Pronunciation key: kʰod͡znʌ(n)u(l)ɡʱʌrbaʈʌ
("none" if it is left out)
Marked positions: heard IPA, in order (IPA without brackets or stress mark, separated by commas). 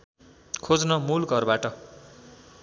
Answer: m, l